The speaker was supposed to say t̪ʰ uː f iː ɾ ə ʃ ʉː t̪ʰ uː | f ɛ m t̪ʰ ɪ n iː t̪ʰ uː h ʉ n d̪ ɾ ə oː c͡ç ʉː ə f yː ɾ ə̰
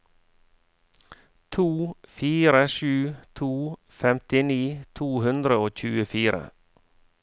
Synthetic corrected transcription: t̪ʰ uː f iː ɾ ə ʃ ʉː t̪ʰ uː | f ɛ m t̪ ɪ n iː t̪ʰ uː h ʉ n d̪ ɾ ə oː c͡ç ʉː ə f iː ɾ ə̰